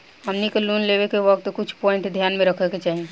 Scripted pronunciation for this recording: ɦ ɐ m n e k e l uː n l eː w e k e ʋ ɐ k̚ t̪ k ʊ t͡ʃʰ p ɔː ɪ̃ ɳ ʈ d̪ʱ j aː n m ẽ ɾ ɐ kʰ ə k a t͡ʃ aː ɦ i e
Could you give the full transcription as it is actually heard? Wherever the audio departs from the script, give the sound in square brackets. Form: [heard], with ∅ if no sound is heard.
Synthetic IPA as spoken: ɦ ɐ m n [i] k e l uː n l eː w e k e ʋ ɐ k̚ t̪ k ʊ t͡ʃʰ p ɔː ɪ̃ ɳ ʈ d̪ʱ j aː n m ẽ ɾ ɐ kʰ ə k [e] t͡ʃ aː ɦ i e